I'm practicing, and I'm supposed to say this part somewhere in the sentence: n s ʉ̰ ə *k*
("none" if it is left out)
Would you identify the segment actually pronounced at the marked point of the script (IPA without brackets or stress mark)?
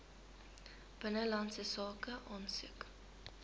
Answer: k